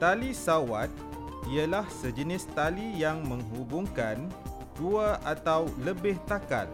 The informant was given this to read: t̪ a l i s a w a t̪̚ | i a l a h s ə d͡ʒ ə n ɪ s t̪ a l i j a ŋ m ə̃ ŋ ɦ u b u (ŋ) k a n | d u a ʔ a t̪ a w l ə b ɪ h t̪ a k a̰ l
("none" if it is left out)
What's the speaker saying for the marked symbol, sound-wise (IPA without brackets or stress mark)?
ŋ